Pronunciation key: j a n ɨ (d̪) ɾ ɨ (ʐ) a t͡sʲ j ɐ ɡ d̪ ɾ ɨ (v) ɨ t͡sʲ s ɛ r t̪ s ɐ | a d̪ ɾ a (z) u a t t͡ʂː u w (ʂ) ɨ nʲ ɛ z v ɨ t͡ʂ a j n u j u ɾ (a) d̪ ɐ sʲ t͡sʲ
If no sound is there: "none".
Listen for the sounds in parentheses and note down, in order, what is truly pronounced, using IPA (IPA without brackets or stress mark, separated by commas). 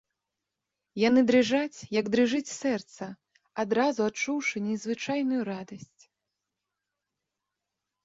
d̪, ʐ, ʐ, z, ʂ, a